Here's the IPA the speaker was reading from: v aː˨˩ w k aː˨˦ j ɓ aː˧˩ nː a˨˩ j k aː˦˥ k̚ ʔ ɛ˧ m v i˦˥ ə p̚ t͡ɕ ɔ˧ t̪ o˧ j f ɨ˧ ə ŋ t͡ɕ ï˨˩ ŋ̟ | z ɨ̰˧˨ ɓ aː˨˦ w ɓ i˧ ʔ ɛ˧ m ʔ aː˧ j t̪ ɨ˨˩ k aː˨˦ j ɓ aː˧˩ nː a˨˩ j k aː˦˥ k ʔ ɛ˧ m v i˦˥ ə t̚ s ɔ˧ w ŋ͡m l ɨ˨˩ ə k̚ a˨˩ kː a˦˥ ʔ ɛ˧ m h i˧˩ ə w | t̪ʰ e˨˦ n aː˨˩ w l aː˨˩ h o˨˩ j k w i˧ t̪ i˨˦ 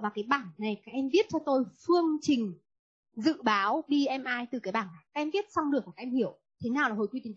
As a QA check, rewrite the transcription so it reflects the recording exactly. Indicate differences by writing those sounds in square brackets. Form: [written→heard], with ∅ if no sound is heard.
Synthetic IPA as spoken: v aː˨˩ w k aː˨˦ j ɓ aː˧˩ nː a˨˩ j k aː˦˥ k̚ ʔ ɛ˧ m v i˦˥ ə [p̚→t̚] t͡ɕ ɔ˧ t̪ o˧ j f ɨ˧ ə ŋ t͡ɕ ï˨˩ ŋ̟ | z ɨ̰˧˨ ɓ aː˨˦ w ɓ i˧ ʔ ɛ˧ m ʔ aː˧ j t̪ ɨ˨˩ k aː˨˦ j ɓ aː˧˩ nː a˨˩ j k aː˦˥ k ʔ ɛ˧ m v i˦˥ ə t̚ s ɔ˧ w ŋ͡m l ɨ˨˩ ə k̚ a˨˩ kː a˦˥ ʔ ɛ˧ m h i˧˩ ə w | t̪ʰ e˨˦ n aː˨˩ w l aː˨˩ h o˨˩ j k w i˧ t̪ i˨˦

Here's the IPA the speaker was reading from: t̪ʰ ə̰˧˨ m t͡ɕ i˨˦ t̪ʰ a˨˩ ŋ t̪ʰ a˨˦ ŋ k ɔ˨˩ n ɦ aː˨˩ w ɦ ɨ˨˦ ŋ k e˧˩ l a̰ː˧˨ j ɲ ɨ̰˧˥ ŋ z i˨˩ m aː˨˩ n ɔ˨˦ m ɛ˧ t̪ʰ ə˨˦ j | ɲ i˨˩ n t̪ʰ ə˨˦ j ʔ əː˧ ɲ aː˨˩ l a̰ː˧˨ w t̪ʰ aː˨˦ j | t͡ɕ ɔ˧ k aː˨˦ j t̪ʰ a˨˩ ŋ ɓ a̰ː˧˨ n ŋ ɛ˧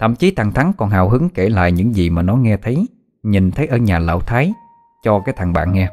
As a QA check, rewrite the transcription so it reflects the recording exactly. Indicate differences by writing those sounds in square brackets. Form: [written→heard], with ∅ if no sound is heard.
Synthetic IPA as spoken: t̪ʰ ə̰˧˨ m t͡ɕ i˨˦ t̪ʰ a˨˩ ŋ t̪ʰ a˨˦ ŋ k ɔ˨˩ n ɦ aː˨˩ w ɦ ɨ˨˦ ŋ k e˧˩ l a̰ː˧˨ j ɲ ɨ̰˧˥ ŋ z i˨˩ m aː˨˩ n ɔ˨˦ [m→ŋ] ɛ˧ t̪ʰ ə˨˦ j | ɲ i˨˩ n t̪ʰ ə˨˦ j ʔ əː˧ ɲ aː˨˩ l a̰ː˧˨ w t̪ʰ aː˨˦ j | t͡ɕ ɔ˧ k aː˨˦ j t̪ʰ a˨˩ ŋ ɓ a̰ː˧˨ n ŋ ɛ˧

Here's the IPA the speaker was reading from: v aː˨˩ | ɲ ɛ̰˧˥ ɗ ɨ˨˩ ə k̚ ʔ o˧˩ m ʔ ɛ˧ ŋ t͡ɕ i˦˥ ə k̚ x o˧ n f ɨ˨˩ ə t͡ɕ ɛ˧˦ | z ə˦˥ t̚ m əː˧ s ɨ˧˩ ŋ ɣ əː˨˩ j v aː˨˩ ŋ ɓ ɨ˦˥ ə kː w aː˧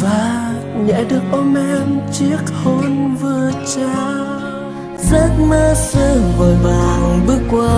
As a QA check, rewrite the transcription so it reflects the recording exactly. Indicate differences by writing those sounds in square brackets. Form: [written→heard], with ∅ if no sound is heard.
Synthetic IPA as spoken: v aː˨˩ | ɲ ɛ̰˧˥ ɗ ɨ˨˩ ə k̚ ʔ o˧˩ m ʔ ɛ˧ [ŋ→m] t͡ɕ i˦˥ ə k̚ [x→h] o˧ n [f→v] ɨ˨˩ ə t͡ɕ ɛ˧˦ | z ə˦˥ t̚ m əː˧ s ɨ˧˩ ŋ [ɣ→v] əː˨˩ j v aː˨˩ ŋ ɓ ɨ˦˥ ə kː w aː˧

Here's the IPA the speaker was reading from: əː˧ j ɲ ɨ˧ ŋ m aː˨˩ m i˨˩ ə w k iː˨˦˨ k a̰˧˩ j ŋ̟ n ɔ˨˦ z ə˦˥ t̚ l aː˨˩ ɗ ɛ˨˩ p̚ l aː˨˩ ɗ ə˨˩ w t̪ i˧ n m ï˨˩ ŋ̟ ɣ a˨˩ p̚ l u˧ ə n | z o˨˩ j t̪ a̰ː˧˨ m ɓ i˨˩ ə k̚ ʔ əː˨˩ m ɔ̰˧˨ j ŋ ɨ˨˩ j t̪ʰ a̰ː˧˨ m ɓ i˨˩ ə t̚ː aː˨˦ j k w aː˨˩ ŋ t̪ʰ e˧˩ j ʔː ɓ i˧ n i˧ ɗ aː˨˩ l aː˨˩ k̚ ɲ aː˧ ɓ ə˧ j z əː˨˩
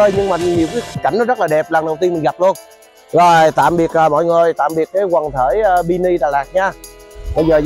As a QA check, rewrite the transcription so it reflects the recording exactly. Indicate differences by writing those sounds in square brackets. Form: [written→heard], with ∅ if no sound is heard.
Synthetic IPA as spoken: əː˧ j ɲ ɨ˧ ŋ m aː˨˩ [m→ɲ] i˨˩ ə w k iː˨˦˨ k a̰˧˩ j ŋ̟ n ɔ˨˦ z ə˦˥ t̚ l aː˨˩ ɗ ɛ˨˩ p̚ l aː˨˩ ɗ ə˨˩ w t̪ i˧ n m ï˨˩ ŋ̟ ɣ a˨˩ p̚ l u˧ ə n | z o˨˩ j t̪ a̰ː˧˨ m ɓ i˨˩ ə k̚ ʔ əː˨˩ m ɔ̰˧˨ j ŋ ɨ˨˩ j [t̪ʰ→t̪] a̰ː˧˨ m ɓ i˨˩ ə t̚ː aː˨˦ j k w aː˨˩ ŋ t̪ʰ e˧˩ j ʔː ɓ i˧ n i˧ ɗ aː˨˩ l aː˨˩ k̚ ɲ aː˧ ɓ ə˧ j z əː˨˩

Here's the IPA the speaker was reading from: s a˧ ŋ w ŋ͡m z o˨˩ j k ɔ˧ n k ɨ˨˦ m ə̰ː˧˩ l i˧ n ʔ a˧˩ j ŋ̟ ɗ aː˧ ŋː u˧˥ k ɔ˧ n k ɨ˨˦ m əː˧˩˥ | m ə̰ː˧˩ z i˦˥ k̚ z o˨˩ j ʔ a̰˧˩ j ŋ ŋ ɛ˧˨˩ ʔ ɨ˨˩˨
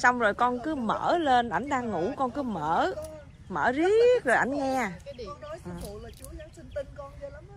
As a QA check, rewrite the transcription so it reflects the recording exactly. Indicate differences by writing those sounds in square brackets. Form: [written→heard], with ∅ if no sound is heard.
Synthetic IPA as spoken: s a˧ [ŋ→∅] w ŋ͡m z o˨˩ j k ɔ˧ n k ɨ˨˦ m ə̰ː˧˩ l [i˧→e˧] n ʔ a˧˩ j ŋ̟ ɗ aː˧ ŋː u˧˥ k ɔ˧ n k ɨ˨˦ m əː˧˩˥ | m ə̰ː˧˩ z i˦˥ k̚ z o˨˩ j ʔ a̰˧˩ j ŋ ŋ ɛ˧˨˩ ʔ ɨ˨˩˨

